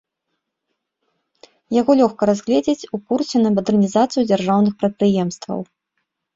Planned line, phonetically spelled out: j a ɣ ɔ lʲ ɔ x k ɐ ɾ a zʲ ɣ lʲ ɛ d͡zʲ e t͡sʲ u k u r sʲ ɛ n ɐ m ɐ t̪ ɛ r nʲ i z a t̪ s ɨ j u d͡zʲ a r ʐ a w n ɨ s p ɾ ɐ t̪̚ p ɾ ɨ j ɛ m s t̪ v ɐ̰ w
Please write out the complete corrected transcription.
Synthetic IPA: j a ɣ ɔ lʲ ɔ x k ɐ ɾ a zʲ ɣ lʲ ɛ d͡zʲ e t͡sʲ u k u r sʲ ɛ n ɐ m ɐ d̪ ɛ r nʲ i z a t̪ s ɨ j u d͡zʲ a r ʐ a w n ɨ x p ɾ ɐ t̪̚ p ɾ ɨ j ɛ m s t̪ v ɐ̰ w